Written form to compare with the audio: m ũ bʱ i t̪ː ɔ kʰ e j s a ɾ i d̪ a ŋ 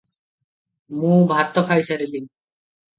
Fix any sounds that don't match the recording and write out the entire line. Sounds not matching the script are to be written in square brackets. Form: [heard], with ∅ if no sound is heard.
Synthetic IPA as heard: m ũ bʱ [a] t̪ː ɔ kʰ [a] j s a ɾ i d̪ [i] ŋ